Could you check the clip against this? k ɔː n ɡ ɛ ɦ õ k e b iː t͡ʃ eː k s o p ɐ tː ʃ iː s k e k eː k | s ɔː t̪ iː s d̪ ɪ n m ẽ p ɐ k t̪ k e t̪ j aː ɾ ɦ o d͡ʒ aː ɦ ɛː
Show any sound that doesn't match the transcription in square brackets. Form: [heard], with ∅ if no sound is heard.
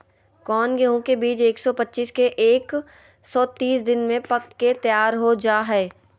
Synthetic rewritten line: k ɔː n ɡ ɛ ɦ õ k e b iː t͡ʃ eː k s [ɔ] p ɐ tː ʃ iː s k e [ʔ] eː k | s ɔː t̪ iː s d̪ ɪ n m ẽ p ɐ k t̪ k e t̪ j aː ɾ ɦ o d͡ʒ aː ɦ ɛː